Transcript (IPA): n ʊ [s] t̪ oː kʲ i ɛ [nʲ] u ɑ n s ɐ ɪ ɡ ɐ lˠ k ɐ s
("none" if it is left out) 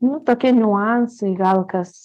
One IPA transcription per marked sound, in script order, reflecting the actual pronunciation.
none, nʲ

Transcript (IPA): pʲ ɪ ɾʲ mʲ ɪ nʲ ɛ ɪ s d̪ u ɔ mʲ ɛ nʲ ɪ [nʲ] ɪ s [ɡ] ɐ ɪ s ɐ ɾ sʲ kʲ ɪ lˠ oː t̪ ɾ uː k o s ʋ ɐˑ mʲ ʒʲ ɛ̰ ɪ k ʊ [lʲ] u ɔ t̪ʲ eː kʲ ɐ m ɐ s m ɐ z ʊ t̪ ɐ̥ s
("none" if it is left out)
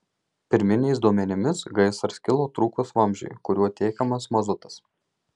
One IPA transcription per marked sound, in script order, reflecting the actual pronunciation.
mʲ, ɡ, ɾʲ

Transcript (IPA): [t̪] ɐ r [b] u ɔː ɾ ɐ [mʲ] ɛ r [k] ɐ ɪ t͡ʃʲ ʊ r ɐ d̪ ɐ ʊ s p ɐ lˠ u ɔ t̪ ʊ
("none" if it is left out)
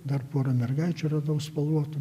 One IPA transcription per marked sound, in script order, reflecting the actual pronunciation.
d̪, p, mʲ, ɡ

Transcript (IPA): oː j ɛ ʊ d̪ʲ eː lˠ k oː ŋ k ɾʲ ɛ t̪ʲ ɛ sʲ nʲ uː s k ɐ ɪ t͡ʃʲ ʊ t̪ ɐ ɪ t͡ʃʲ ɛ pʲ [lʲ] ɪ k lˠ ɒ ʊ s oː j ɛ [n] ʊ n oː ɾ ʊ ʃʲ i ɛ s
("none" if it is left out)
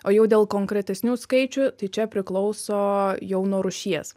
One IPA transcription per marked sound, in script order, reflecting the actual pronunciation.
ɾʲ, none

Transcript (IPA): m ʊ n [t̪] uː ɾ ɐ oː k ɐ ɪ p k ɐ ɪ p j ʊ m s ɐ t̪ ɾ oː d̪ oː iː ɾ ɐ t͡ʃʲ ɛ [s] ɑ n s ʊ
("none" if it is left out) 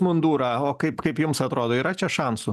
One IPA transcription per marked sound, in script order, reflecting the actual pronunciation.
d̪, ʃ

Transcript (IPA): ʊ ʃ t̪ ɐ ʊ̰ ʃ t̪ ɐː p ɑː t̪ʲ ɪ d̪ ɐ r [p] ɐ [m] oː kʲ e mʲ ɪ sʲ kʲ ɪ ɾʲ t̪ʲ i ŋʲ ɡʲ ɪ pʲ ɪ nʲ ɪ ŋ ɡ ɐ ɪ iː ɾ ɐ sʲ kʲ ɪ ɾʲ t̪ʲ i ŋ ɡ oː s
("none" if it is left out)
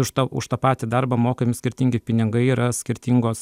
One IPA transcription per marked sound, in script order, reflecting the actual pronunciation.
b, m

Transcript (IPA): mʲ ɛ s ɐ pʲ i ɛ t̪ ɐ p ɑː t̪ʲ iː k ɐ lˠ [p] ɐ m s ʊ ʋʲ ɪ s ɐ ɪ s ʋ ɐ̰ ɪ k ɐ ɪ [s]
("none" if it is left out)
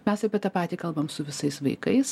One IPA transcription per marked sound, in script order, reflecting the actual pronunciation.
b, s

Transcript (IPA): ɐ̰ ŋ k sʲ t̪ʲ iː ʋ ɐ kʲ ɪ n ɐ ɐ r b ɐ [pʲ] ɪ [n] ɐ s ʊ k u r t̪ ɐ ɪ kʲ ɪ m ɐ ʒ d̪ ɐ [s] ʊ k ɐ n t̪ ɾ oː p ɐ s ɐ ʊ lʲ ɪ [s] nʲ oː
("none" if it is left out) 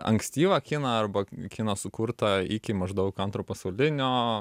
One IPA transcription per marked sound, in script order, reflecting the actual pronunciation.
kʲ, n, none, none

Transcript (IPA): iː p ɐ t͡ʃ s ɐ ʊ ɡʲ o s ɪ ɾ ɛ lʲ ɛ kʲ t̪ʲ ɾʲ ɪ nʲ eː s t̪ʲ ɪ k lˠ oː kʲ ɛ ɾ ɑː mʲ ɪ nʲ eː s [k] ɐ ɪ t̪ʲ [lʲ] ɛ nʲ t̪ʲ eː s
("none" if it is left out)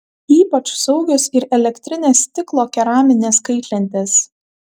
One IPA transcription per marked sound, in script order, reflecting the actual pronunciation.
k, lʲ

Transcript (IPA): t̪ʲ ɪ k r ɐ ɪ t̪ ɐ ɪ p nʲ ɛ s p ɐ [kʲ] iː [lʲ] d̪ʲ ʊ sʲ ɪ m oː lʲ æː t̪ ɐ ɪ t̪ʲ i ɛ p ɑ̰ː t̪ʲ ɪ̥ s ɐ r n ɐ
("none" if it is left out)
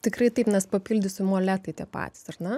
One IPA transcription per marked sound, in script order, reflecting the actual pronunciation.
pʲ, lʲ

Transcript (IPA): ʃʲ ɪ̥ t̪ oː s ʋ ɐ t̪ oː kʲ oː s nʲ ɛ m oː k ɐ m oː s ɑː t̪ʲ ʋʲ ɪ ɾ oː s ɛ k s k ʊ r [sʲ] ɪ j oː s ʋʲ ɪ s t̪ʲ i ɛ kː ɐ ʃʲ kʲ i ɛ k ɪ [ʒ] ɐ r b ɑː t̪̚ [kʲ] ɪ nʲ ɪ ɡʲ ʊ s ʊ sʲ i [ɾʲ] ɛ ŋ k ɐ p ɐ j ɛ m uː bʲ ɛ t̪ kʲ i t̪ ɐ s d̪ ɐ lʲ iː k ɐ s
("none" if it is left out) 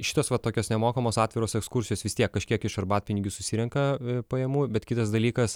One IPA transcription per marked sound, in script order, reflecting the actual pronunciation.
sʲ, ʃ, pʲ, ɾʲ

